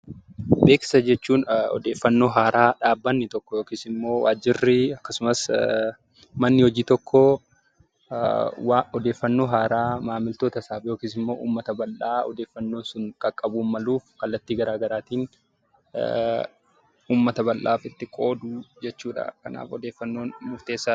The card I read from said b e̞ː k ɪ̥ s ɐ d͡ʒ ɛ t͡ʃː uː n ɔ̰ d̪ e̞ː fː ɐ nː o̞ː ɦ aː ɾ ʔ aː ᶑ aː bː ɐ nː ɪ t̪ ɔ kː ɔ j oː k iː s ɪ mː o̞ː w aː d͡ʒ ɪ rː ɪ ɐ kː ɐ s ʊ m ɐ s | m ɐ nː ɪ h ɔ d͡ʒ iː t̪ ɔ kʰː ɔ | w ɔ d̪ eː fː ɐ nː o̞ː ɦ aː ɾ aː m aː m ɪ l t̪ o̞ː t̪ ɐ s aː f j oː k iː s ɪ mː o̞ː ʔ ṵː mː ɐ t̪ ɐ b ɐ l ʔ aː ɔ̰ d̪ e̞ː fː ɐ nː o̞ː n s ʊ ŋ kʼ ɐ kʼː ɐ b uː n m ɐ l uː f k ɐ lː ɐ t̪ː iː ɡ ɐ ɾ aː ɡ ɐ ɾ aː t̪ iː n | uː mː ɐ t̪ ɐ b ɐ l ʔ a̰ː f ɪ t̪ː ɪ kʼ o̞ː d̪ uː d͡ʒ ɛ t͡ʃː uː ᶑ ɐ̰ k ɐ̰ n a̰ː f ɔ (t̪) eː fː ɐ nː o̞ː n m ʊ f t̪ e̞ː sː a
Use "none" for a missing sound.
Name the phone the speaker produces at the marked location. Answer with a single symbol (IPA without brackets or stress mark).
d̪